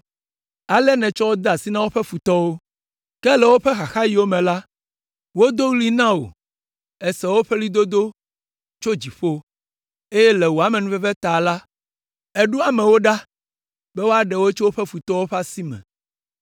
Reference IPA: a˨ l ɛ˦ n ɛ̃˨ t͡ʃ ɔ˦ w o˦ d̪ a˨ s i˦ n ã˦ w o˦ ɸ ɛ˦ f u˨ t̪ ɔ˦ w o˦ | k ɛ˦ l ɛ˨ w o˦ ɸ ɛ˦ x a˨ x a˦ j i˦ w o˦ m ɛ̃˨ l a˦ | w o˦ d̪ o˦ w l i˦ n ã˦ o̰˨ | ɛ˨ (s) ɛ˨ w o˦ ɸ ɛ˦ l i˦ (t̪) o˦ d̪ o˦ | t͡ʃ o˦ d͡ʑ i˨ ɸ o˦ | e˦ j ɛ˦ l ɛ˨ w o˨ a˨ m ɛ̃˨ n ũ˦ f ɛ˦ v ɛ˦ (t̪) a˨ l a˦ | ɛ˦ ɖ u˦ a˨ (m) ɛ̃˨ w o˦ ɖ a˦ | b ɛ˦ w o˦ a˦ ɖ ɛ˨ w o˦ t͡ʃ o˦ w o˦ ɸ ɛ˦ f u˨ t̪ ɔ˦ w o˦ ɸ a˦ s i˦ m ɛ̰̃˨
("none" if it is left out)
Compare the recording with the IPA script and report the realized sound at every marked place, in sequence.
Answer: s, d̪, t̪, m

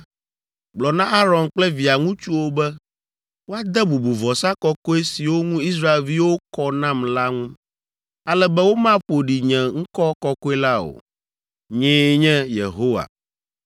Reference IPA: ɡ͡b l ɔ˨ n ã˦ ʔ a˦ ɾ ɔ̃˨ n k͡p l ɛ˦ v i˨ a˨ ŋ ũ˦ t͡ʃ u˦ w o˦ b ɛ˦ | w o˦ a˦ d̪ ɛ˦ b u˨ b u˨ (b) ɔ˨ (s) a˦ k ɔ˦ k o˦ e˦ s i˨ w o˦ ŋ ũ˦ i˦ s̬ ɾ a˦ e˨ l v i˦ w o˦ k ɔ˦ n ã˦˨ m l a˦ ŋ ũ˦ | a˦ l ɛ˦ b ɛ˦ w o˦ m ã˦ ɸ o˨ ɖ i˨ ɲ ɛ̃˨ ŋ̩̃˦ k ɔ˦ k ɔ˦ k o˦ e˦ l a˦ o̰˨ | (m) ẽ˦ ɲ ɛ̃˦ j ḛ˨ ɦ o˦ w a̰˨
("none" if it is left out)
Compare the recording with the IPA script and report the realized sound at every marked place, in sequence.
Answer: v, s, ɲ

